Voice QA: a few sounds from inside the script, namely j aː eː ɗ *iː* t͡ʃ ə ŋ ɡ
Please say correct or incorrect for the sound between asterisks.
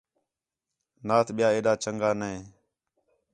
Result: incorrect